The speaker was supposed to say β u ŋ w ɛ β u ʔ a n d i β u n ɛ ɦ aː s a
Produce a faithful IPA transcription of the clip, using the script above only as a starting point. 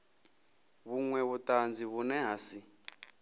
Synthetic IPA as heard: β u ŋ w ɛ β u t a n d͡z i β u n ɛ ɦ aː s i